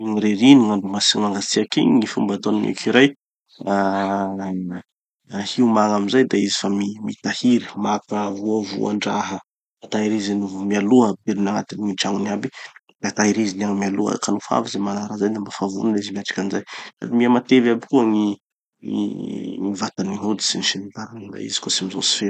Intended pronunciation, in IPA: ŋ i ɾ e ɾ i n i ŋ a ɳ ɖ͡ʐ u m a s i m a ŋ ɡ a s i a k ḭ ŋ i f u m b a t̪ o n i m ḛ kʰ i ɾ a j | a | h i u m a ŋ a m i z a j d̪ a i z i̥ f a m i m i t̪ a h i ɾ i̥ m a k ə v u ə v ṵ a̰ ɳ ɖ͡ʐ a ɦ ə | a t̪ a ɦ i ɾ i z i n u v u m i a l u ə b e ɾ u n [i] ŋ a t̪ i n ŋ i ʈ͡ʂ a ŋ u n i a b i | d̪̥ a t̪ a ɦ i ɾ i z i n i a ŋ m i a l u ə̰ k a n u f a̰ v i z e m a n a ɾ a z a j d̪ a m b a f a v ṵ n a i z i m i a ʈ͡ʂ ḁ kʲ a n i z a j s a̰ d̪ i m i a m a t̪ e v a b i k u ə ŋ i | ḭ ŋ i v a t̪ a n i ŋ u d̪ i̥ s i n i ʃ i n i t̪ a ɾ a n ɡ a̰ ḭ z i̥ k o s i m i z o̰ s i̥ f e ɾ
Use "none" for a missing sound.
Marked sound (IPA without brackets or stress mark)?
a